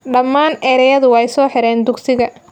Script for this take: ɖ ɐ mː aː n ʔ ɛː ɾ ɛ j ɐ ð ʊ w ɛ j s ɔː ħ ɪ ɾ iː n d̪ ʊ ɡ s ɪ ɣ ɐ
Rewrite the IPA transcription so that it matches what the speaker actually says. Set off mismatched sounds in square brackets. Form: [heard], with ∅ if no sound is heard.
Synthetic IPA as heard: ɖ ɐ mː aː n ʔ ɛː ɾ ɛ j ɐ ð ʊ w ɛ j s ɔː ħ ɪ ɾ [ɛː] n d̪ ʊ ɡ s ɪ ɣ ɐ